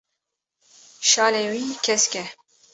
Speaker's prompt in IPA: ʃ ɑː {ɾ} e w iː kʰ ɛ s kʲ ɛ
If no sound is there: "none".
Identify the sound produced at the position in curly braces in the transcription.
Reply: l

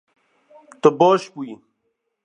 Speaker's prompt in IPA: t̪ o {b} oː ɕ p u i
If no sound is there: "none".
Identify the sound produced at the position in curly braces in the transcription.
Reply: b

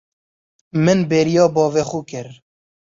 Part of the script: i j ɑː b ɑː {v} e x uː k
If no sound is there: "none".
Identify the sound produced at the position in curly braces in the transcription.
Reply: v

